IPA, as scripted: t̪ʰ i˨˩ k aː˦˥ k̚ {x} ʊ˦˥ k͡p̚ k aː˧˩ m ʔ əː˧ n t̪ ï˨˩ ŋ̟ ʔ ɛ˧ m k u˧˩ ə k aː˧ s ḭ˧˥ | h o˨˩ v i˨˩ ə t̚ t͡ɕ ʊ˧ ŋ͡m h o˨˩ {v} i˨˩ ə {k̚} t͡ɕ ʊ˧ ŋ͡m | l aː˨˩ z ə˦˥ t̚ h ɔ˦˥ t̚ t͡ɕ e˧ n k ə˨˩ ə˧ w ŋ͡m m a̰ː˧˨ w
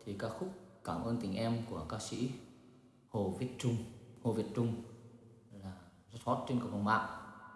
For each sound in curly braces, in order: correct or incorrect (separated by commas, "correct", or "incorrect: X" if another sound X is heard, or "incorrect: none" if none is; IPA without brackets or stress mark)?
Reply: correct, correct, incorrect: t̚